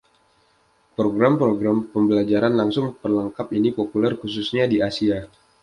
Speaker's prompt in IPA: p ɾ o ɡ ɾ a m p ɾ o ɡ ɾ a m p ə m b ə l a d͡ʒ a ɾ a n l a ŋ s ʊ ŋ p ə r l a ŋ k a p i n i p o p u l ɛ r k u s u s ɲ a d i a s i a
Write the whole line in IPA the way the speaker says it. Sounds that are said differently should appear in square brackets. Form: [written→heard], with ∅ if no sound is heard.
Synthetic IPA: p ɾ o ɡ ɾ a m p ɾ o ɡ ɾ a m p ə m b ə l a d͡ʒ a ɾ a n l a ŋ s ʊ ŋ p ə r l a ŋ k a p i n i p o p u l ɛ r k u s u s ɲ a d i a s i a